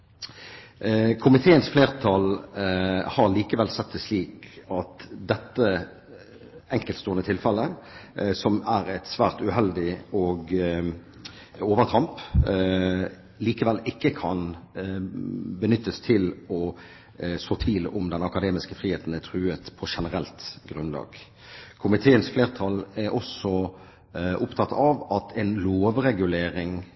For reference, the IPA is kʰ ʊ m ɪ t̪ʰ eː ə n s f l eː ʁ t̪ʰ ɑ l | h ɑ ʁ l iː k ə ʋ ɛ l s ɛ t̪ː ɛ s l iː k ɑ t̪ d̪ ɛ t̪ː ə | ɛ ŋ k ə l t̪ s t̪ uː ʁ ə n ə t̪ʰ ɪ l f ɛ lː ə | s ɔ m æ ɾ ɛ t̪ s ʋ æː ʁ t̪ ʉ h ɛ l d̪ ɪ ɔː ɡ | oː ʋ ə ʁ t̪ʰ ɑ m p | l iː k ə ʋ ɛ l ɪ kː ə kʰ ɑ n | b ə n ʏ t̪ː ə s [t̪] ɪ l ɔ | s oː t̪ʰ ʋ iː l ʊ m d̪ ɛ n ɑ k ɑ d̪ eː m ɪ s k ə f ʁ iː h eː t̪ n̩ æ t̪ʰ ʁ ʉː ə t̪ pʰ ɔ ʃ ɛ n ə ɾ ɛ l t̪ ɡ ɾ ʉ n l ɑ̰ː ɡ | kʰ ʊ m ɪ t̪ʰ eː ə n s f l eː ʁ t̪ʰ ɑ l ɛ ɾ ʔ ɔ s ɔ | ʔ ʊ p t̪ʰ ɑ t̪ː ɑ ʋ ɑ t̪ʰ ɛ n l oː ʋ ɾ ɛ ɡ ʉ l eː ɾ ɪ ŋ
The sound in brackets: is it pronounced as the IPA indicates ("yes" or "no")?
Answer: no